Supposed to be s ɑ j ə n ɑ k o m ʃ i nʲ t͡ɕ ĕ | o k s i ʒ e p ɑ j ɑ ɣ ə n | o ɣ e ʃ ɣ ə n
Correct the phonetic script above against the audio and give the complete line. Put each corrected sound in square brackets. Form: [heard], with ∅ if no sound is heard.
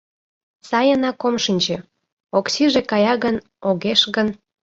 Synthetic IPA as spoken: s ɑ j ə n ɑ k o m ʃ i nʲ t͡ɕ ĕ | o k s i ʒ e [k] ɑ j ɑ ɣ ə n | o ɣ e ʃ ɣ ə n